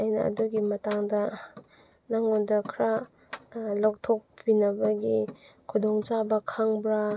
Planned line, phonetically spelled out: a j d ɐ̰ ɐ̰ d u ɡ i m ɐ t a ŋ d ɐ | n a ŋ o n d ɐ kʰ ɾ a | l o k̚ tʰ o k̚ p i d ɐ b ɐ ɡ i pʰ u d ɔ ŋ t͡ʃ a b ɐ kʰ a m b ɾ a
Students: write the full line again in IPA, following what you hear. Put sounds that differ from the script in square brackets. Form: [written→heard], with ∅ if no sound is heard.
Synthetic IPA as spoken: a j [d→n] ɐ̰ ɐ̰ d u ɡ i m ɐ t a ŋ d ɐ | n a ŋ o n d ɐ kʰ ɾ a | l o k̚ tʰ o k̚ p i [d→n] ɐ b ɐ ɡ i [pʰ→kʰ] u d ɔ ŋ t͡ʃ a b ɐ kʰ a [m→ŋ] b ɾ a